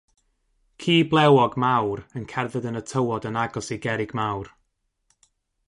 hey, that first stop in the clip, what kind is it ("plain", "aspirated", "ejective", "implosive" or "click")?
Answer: aspirated